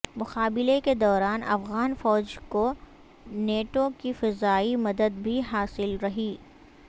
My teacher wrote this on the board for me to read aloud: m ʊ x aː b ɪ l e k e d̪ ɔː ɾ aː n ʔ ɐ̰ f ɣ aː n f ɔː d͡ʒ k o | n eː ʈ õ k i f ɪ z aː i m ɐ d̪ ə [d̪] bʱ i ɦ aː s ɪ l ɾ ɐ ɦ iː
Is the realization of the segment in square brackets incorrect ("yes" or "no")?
no